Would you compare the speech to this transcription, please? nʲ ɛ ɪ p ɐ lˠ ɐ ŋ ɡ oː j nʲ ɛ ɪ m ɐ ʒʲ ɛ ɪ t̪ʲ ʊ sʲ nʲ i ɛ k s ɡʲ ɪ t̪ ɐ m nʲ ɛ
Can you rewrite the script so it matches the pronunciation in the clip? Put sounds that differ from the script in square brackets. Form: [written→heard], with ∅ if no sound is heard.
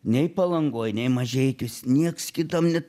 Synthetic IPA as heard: nʲ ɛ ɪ p ɐ lˠ ɐ ŋ ɡ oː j nʲ ɛ ɪ m ɐ ʒʲ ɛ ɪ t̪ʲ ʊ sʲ nʲ i ɛ k s [ɡʲ→kʲ] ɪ t̪ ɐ m nʲ ɛ